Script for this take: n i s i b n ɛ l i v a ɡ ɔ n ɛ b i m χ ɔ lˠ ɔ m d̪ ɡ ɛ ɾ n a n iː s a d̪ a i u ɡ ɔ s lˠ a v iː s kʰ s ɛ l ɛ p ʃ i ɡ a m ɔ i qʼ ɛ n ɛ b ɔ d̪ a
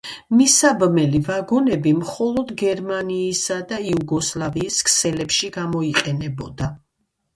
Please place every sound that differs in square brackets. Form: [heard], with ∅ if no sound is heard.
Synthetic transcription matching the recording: [m] i s [a] b [m] ɛ l i v a ɡ ɔ n ɛ b i m χ ɔ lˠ ɔ [∅] d̪ ɡ ɛ ɾ [m] a n iː s a d̪ a i u ɡ ɔ s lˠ a v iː s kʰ s ɛ l ɛ p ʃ i ɡ a m ɔ i qʼ ɛ n ɛ b ɔ d̪ a